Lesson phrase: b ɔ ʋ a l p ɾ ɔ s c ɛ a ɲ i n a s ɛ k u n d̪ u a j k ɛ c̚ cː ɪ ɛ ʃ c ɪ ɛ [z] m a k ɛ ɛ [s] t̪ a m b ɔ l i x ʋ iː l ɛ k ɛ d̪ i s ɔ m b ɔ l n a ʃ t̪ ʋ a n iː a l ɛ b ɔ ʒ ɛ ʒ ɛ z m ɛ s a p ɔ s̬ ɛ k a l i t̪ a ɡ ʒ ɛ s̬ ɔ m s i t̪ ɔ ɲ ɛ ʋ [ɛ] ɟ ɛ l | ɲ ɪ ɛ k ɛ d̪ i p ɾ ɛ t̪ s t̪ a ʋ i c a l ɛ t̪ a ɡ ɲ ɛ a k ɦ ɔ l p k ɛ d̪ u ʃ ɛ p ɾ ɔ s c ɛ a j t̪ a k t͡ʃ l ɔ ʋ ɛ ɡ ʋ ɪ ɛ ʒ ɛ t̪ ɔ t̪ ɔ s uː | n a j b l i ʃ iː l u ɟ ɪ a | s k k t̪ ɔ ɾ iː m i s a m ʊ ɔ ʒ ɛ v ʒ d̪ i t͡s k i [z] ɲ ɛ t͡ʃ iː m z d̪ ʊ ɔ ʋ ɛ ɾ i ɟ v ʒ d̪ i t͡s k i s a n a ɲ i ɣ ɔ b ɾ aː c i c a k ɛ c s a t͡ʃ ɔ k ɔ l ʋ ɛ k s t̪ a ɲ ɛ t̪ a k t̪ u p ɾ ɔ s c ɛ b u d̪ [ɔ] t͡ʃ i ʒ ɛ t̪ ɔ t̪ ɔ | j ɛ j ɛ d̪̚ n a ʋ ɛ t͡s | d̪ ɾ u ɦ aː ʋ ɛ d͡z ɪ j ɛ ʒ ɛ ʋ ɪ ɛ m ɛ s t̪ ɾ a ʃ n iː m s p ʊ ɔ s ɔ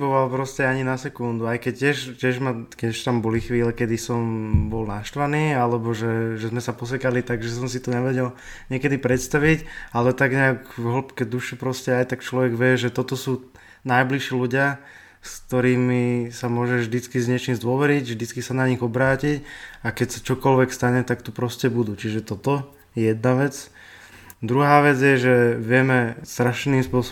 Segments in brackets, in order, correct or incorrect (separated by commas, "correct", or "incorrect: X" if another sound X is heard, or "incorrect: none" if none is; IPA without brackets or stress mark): incorrect: ʒ, incorrect: ʃ, correct, correct, incorrect: u